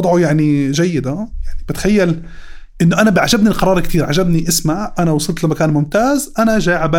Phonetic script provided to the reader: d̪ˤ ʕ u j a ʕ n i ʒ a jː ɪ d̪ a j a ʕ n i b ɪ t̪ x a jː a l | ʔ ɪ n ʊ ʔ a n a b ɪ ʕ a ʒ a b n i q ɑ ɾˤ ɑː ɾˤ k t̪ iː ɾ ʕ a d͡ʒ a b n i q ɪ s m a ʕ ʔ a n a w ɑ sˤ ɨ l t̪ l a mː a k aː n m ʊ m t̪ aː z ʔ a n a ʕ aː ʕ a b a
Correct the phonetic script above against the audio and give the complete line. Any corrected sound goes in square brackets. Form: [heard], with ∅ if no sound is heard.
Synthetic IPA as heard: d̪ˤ ʕ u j a ʕ n i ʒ a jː ɪ d̪ a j a ʕ n i b ɪ t̪ x a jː a l | ʔ ɪ [nː] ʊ ʔ a n a b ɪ ʕ a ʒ a b n i q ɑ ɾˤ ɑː ɾˤ k t̪ iː ɾ ʕ a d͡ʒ a b n i [ʔ] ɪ s m a ʕ ʔ a n a w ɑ sˤ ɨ l t̪ l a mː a k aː n m ʊ m t̪ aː z ʔ a n a [ʒ] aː ʕ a b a